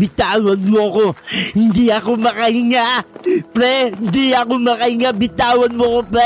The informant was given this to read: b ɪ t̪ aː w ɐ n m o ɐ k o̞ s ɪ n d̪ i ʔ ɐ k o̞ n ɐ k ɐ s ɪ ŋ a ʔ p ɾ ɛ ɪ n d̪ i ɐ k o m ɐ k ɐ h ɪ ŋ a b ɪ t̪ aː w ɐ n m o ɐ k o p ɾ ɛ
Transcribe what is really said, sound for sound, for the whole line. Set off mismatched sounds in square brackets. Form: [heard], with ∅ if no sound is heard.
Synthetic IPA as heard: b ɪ t̪ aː w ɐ n m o ɐ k o̞ [h] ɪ n d̪ i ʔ ɐ k o̞ [m] ɐ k ɐ [h] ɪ ŋ a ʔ p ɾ ɛ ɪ n d̪ i ɐ k o m ɐ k ɐ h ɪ ŋ a b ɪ t̪ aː w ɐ n m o ɐ k o p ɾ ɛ